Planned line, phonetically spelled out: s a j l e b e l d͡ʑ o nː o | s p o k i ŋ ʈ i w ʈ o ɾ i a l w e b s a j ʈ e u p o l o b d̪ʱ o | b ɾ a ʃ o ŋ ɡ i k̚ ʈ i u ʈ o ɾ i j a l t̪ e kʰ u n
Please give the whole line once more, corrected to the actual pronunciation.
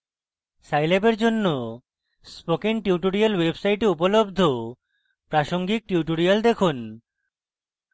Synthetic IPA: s a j l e b e ɾ d͡ʑ o nː o | s p o k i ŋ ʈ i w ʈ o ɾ i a l w e b s a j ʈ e u p o l o b d̪ʱ o | p ɾ a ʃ o ŋ ɡ i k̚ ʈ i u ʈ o ɾ i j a l d̪ e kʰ u n